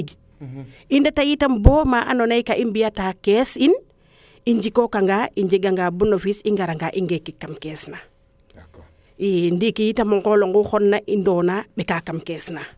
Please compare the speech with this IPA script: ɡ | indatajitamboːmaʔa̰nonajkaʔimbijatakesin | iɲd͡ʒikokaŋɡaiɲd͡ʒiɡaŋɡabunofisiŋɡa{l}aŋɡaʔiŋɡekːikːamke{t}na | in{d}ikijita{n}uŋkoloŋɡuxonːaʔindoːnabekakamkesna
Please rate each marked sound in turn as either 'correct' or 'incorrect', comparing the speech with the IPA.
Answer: incorrect, incorrect, correct, incorrect

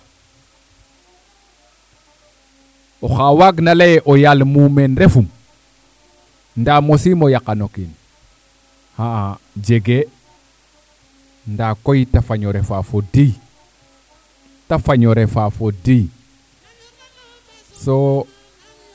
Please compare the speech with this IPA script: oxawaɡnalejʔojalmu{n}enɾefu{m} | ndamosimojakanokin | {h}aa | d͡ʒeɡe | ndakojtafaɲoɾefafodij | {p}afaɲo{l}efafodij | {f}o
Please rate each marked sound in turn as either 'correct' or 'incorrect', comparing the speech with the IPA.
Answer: incorrect, correct, correct, incorrect, incorrect, incorrect

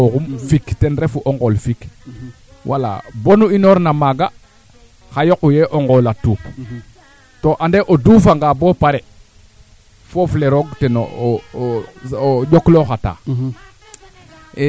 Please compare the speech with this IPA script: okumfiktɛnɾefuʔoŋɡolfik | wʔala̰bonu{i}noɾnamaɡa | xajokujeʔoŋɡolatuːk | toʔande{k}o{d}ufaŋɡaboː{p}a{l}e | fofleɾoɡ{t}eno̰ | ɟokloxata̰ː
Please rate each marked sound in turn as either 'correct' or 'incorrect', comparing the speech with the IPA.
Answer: correct, incorrect, correct, correct, incorrect, correct

